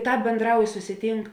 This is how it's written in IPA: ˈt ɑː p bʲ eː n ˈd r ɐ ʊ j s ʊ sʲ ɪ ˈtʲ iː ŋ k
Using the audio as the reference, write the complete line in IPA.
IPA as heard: ˈt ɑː p bʲ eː n ˈd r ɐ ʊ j s ʊ sʲ ɪ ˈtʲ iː ŋ k